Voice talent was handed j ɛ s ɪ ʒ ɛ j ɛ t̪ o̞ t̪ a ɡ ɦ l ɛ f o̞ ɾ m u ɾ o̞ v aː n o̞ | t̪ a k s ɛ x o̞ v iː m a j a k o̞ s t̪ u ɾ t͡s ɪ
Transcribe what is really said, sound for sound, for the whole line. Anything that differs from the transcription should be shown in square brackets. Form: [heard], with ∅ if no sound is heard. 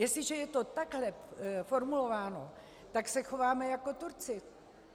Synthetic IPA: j ɛ s ɪ ʒ ɛ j ɛ t̪ o̞ t̪ a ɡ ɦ l ɛ f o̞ ɾ m u [l] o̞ v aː n o̞ | t̪ a k s ɛ x o̞ v [aː] m [ɛ] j a k o̞ [∅] t̪ u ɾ t͡s ɪ